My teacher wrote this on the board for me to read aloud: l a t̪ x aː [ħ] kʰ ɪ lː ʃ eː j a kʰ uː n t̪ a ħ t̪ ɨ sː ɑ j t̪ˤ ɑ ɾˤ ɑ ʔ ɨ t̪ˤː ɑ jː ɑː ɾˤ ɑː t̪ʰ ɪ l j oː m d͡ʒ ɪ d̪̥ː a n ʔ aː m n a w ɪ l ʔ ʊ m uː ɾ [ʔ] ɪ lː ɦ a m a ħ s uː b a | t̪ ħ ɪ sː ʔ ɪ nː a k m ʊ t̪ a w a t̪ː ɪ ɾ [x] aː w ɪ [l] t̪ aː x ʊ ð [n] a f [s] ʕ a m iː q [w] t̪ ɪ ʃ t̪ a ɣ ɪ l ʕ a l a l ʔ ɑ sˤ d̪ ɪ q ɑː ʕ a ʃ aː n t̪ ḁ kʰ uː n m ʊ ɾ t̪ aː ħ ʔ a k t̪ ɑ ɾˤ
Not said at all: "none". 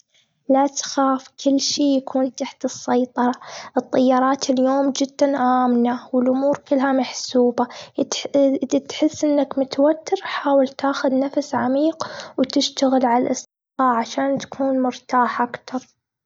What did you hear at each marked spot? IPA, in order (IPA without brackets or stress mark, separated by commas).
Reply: f, k, ħ, l, n, s, w